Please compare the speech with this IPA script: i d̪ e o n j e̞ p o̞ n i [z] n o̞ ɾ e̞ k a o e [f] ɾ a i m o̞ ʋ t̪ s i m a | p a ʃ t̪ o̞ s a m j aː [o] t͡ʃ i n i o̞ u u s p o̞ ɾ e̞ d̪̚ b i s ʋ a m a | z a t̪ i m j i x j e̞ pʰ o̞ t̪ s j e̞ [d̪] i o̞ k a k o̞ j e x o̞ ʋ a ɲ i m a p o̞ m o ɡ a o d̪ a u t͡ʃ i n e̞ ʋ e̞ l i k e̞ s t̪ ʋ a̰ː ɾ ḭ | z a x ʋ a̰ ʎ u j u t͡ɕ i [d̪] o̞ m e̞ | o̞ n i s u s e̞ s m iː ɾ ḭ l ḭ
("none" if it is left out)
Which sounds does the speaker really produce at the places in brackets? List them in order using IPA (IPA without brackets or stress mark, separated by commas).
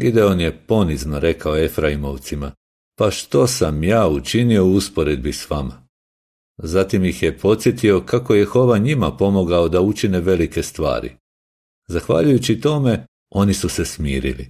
z, f, u, t̪, t̪